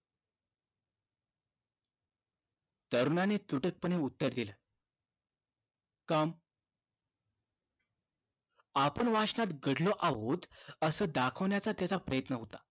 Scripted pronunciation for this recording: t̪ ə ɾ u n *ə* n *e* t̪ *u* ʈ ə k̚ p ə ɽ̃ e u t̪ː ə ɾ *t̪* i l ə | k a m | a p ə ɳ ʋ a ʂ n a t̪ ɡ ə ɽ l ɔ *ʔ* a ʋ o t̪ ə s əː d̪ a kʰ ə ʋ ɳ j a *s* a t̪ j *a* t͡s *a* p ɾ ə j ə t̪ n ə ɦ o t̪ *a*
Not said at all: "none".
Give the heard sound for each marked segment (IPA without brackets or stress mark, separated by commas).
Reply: a, e, u, d̪, ʔ, t͡s, a, a, a